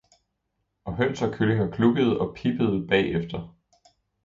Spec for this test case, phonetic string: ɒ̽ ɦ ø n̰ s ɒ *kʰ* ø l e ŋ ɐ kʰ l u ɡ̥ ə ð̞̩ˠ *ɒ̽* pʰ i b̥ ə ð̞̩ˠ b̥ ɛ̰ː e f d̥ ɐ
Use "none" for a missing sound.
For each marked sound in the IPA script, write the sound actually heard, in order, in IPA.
kʰ, ɒ̽

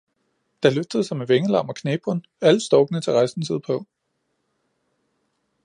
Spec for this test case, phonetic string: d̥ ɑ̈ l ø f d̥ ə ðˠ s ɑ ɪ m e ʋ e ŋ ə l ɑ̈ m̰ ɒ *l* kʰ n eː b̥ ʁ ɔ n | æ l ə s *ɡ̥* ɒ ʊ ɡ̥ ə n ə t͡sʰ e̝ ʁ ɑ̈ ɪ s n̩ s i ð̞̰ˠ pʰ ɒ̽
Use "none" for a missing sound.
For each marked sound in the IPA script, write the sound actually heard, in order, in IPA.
none, d̥

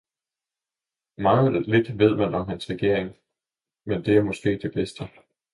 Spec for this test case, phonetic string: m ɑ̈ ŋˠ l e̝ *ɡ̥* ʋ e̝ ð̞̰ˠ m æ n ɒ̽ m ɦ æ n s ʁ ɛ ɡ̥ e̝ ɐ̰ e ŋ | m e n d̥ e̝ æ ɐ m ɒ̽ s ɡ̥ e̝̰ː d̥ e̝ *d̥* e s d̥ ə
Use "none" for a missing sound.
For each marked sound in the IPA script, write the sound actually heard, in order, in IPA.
d̥, b̥

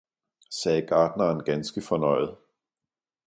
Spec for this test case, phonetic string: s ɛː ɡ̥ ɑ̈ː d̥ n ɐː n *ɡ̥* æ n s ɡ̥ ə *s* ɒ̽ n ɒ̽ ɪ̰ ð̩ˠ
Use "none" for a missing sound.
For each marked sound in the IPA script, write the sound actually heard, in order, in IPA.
ɡ̥, f

